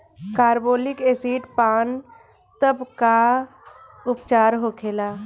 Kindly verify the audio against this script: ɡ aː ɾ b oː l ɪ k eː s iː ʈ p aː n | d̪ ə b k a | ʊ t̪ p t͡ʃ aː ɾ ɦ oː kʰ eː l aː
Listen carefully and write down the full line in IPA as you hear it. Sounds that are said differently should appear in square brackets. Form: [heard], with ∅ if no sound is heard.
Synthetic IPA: [k] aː ɾ b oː l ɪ k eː s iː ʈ p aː n | [t̪] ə b k a | ʊ [∅] p t͡ʃ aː ɾ ɦ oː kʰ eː l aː

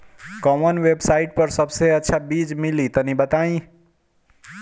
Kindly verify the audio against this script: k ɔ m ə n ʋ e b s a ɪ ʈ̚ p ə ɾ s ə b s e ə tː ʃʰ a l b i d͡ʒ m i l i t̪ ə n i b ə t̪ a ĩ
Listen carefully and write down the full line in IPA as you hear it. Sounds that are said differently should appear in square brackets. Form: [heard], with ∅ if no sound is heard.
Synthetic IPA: k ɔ m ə n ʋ e b s a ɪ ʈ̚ p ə ɾ s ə b s e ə tː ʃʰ a [∅] b i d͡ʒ m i l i t̪ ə n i b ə t̪ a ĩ

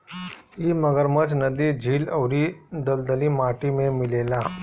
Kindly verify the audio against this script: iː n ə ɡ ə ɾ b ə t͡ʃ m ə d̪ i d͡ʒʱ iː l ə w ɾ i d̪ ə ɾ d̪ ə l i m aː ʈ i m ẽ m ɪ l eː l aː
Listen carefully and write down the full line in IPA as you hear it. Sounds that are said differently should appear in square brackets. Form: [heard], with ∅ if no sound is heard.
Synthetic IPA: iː [m] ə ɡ ə ɾ [m] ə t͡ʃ [n] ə d̪ i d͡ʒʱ iː l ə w ɾ i d̪ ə [l] d̪ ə l i m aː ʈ i m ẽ m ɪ l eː l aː

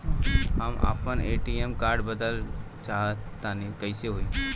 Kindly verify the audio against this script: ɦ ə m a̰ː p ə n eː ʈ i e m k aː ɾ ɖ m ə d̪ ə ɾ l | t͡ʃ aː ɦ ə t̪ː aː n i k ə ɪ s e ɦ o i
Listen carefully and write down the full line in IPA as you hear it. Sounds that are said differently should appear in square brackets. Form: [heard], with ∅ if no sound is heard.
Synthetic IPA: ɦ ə m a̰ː p ə n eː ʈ i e m k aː ɾ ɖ [b] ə d̪ ə [∅] l | t͡ʃ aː ɦ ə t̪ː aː n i k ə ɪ s e ɦ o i

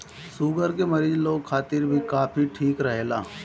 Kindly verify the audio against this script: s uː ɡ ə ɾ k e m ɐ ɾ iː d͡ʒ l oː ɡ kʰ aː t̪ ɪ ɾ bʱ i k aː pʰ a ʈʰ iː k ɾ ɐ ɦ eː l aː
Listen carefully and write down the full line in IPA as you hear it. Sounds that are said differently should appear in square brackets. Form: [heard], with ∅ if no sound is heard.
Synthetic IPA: s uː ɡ ə ɾ k e m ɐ ɾ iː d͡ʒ l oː ɡ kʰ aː t̪ ɪ ɾ bʱ i k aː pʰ [i] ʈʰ iː k ɾ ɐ ɦ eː l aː

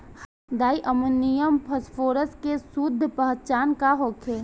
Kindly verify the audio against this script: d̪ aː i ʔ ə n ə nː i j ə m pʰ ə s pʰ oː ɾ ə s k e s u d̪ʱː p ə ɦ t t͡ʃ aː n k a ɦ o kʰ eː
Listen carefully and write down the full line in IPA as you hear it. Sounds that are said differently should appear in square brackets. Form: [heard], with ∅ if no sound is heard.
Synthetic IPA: d̪ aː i ʔ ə [m] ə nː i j ə m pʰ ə s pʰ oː ɾ ə s k e s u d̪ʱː p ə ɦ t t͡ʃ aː n k a ɦ o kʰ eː

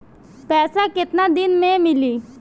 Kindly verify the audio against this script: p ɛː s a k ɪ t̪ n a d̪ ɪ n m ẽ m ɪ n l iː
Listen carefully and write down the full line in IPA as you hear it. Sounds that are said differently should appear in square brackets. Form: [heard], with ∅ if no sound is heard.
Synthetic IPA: p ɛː s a k ɪ t̪ n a d̪ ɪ n m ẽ m ɪ [∅] l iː

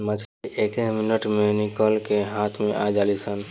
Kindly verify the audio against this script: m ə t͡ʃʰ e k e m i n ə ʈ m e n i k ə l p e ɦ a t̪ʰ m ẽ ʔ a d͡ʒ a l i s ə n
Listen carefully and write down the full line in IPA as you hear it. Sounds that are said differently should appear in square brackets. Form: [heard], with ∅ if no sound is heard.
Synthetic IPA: m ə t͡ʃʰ e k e m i n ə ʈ m e n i k ə l [k] e ɦ a t̪ʰ m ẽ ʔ a d͡ʒ a l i s ə n

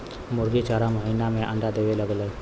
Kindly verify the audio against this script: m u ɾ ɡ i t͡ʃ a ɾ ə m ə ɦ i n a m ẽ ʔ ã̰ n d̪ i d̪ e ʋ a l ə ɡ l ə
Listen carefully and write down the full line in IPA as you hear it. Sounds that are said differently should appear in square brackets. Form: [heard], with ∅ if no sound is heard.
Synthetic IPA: m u ɾ ɡ i t͡ʃ a ɾ [a] m ə ɦ i n a m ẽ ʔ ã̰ n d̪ [a] d̪ e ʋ [e] l ə ɡ l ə

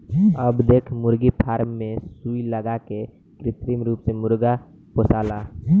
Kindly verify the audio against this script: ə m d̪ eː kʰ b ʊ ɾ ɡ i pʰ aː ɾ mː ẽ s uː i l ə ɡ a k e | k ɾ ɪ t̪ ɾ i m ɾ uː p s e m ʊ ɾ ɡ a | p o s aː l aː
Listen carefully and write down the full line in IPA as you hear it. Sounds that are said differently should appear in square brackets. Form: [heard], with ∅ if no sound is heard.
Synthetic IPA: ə [b] d̪ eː kʰ [m] ʊ ɾ ɡ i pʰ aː ɾ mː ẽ s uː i l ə ɡ a k e | k ɾ ɪ t̪ ɾ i m ɾ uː p s e m ʊ ɾ ɡ a | p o s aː l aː

